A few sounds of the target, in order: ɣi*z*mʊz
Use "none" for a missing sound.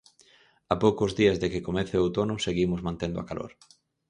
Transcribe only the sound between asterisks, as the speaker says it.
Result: none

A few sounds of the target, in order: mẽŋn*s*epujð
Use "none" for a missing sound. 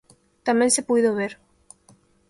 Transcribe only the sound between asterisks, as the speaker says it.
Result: s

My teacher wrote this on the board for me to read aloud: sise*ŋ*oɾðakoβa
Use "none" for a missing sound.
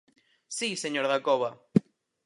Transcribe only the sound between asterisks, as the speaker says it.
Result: ɲ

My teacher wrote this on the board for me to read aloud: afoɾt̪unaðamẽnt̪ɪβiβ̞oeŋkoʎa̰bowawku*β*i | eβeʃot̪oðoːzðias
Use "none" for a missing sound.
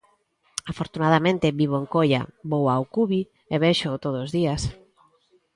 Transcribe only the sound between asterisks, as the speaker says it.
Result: β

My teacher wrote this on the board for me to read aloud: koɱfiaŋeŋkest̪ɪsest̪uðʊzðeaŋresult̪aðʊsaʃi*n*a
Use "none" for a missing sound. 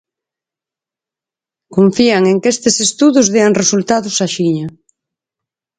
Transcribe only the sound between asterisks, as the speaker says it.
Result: ɲ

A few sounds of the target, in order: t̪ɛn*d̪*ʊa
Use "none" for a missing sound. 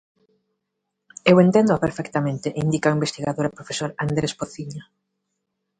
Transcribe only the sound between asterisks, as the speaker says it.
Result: d̪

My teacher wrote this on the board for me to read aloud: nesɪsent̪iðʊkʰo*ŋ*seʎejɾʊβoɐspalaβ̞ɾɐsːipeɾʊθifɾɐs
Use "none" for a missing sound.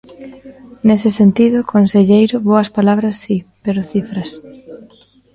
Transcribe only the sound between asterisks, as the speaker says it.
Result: n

